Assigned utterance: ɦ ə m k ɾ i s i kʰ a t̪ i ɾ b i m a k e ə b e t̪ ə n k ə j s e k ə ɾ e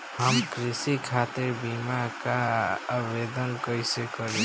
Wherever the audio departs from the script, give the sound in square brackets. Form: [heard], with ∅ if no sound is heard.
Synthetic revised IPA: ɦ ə m k ɾ i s i kʰ a t̪ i ɾ b i m a k [a] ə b e [d̪] ə n k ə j s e k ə ɾ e